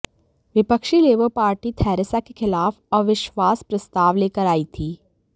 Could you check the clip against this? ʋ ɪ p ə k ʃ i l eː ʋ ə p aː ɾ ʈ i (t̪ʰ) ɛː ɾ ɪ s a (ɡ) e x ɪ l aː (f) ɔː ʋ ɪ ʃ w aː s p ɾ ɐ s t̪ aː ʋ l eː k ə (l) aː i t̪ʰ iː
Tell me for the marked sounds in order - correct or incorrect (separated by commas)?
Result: correct, incorrect, correct, incorrect